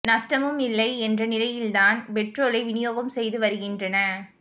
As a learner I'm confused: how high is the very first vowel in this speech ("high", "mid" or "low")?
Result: low